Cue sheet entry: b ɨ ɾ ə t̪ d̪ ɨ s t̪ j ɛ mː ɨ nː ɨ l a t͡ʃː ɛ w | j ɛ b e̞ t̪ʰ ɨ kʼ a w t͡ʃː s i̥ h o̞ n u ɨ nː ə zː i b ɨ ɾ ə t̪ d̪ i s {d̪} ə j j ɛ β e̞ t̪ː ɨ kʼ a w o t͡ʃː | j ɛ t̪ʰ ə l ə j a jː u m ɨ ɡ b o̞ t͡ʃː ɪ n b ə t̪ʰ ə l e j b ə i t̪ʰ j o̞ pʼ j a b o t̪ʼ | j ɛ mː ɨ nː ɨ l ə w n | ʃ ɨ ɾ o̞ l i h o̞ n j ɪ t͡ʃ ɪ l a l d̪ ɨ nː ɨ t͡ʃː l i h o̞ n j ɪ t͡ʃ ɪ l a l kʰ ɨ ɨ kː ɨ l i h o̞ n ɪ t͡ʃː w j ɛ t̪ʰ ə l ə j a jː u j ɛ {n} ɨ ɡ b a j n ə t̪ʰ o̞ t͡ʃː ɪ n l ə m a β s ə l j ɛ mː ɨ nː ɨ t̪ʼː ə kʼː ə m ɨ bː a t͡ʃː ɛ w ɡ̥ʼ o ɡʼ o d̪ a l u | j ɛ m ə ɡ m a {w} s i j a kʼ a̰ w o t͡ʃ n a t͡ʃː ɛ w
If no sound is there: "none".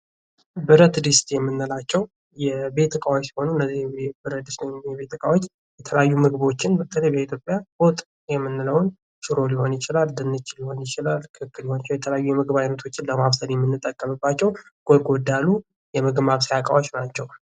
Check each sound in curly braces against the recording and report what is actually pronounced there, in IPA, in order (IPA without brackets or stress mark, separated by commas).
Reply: t̪, m, β